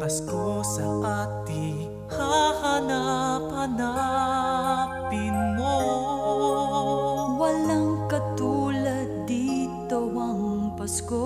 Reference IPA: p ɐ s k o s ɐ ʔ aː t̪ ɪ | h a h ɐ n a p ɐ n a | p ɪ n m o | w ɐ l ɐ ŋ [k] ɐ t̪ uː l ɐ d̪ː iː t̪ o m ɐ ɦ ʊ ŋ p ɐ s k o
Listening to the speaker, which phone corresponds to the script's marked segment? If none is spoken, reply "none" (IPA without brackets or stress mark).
k